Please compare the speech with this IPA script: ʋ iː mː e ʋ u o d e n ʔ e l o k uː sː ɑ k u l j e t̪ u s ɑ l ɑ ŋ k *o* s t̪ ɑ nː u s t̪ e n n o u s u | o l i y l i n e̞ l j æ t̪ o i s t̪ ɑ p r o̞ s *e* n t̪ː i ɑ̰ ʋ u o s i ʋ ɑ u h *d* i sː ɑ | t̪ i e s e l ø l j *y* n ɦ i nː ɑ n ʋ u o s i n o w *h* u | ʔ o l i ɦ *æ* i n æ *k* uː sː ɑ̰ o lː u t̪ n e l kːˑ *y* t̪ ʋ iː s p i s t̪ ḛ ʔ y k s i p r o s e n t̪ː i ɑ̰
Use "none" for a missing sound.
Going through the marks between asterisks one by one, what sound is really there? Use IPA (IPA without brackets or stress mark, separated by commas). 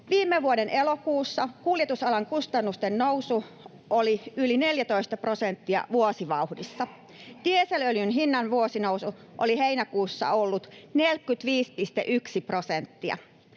u, e, d, y, s, e, k, y